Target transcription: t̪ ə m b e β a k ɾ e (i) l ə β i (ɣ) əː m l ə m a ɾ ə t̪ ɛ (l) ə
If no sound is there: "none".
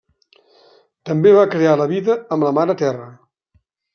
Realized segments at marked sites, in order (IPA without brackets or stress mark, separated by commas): a, ð, r